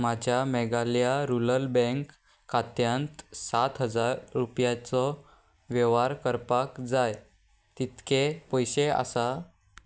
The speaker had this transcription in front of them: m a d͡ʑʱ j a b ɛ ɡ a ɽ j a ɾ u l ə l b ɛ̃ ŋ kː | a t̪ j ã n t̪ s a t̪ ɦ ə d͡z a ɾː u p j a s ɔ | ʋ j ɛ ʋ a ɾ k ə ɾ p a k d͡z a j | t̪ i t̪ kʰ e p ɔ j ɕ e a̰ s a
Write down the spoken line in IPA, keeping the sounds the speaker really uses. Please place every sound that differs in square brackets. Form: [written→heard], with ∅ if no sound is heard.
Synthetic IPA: m a d͡ʑʱ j a [b→m] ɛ ɡ a [ɽ→l] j a ɾ u l ə l b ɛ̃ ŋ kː | a t̪ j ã n t̪ s a t̪ ɦ ə d͡z a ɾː u p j a [s→t͡s] ɔ | ʋ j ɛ ʋ a ɾ k ə ɾ p a k d͡z a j | t̪ i t̪ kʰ e p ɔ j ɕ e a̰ s a